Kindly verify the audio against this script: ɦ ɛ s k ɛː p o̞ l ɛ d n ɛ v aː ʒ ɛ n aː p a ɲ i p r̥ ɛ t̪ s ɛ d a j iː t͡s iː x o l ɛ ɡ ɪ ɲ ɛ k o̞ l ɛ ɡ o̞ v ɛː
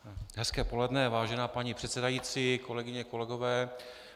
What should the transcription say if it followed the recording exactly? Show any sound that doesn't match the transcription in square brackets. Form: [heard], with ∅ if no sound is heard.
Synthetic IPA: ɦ ɛ s k ɛː p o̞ l ɛ d n ɛ v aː ʒ ɛ n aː p a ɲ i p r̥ ɛ t̪ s ɛ d a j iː t͡s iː [k] o l ɛ ɡ ɪ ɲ ɛ k o̞ l ɛ ɡ o̞ v ɛː

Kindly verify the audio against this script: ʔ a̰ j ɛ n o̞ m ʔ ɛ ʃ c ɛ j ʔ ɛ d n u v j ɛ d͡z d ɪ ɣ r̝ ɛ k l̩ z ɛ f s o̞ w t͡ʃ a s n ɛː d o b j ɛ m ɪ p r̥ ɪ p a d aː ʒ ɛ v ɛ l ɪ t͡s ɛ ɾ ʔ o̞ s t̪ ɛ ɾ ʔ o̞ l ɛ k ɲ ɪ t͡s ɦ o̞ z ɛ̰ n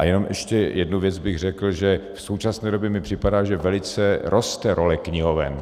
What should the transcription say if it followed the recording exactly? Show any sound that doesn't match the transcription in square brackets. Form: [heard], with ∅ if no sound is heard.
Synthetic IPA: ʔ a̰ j ɛ n o̞ m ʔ ɛ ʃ c ɛ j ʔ ɛ d n u v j ɛ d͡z [b] ɪ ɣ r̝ ɛ k l̩ [ʒ] ɛ f s o̞ w t͡ʃ a s n ɛː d o b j ɛ m ɪ p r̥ ɪ p a d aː ʒ ɛ v ɛ l ɪ t͡s ɛ ɾ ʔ o̞ s t̪ ɛ ɾ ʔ o̞ l ɛ k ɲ ɪ [∅] ɦ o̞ [v] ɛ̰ n

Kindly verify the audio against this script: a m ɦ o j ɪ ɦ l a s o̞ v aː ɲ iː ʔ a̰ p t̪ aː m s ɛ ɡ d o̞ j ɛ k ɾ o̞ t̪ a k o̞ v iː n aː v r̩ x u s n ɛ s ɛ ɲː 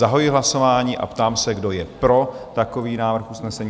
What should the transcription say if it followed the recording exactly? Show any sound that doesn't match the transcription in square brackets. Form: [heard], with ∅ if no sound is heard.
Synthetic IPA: a [∅] ɦ o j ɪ ɦ l a s o̞ v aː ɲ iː ʔ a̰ p t̪ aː m s ɛ ɡ d o̞ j ɛ [p] ɾ o̞ t̪ a k o̞ v iː n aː v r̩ x u s n ɛ s ɛ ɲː

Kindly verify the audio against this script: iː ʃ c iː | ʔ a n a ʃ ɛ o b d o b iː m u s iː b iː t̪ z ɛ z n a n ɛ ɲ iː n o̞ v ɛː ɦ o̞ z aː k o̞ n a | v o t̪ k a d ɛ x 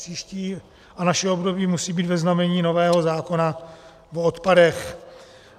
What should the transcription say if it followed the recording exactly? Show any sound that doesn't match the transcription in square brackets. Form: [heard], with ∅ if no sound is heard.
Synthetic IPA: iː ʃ c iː | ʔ a n a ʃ ɛ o b d o b iː m u s iː b iː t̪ [v] ɛ z n a [m] ɛ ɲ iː n o̞ v ɛː ɦ o̞ z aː k o̞ n a | v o t̪ [p] a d ɛ x

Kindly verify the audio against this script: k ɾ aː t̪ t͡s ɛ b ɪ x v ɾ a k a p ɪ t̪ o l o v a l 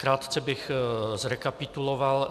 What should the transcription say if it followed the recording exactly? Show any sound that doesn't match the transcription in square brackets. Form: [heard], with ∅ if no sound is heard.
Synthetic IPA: k ɾ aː t̪ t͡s ɛ b ɪ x [z] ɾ [ɛ] k a p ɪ t̪ [u] l o v a l

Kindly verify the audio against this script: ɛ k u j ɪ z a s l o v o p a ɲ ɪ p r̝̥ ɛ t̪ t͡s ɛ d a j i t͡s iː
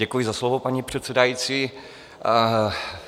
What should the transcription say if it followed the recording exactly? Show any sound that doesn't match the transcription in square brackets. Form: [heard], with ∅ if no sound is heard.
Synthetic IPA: ɛ k u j ɪ z a s l o v o p a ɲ [i] p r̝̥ ɛ t̪ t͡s ɛ d a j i t͡s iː

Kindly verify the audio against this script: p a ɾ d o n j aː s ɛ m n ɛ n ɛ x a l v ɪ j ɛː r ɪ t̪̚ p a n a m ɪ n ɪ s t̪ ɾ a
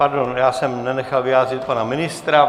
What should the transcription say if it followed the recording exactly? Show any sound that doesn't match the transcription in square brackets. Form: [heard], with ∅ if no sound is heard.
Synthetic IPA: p a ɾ d o n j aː s ɛ m n ɛ n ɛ x a l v ɪ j [aː] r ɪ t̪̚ p a n a m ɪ n ɪ s t̪ ɾ a

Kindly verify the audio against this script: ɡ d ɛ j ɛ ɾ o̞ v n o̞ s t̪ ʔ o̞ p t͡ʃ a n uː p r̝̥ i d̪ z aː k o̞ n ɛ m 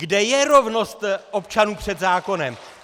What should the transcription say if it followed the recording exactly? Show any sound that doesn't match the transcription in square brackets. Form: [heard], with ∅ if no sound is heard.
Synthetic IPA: ɡ d ɛ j ɛ ɾ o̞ v n o̞ s t̪ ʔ o̞ p t͡ʃ a n uː p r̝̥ [ɛ] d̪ z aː k o̞ n ɛ m

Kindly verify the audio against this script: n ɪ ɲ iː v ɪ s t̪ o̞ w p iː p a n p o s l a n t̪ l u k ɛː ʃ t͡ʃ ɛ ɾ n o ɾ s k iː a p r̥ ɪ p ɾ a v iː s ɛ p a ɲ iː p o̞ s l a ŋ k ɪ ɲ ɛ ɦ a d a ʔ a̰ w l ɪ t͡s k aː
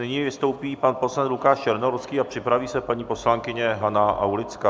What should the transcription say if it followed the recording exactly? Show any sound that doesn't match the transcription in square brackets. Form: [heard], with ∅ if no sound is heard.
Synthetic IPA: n ɪ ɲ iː v ɪ s t̪ o̞ w p iː p a n p o s l a n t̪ l u k [aː] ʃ t͡ʃ ɛ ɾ n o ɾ s k iː a p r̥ ɪ p ɾ a v iː s ɛ p a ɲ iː p o̞ s l a ŋ k ɪ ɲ ɛ ɦ a [n] a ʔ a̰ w l ɪ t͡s k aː

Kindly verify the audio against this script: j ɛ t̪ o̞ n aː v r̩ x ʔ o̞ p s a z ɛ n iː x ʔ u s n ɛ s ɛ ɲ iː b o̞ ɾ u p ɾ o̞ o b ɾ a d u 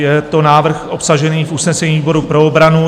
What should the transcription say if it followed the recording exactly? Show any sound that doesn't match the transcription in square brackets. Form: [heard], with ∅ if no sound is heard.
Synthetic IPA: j ɛ t̪ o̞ n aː v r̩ x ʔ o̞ p s a [ʒ] ɛ n iː [f] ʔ u s n ɛ s ɛ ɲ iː b o̞ ɾ u p ɾ o̞ o b ɾ a [n] u

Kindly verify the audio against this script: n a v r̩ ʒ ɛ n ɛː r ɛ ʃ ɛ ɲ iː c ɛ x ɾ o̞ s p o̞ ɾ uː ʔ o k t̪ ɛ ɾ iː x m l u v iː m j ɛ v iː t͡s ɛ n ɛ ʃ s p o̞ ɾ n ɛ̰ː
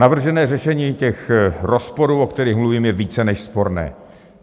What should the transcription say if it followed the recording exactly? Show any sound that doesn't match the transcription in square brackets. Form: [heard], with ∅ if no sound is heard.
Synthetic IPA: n a v r̩ ʒ ɛ n ɛː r ɛ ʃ ɛ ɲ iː c ɛ x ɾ o̞ s p o̞ ɾ uː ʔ o k t̪ ɛ ɾ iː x m l u v iː m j ɛ v iː t͡s ɛ n ɛ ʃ s p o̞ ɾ n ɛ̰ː

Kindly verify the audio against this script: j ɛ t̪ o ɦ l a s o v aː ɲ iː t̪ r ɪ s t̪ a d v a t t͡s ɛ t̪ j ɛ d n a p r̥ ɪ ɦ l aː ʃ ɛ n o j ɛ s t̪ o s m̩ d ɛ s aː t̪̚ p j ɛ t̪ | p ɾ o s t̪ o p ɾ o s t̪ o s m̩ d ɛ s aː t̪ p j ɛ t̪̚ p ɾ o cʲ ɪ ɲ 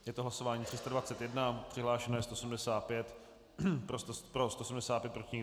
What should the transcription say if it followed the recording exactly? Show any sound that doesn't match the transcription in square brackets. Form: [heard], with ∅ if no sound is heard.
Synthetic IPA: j ɛ t̪ o ɦ l a s o v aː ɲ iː t̪ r ɪ s t̪ a d v a t t͡s ɛ t̪ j ɛ d n a p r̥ ɪ ɦ l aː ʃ ɛ n o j ɛ s t̪ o s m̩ d ɛ s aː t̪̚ p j ɛ t̪ | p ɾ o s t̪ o p ɾ o s t̪ o s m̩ d ɛ s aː t̪ p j ɛ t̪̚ p ɾ o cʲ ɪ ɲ

